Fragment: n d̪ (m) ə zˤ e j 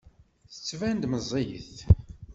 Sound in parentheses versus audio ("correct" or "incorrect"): correct